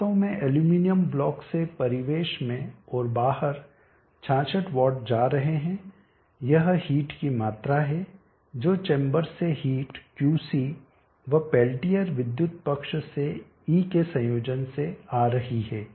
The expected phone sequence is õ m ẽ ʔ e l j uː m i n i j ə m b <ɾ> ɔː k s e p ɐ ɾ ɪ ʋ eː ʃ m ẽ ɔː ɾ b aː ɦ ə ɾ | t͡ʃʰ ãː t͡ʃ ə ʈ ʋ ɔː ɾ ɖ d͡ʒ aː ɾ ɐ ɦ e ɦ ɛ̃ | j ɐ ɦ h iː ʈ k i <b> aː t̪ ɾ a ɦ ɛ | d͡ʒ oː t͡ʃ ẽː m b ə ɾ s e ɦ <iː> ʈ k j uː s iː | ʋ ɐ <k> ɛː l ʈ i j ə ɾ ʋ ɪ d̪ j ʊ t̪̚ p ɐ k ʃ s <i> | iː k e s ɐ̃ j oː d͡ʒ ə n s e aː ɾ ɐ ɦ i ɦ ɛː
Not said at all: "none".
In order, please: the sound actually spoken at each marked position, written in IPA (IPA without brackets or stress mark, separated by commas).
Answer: l, m, iː, p, e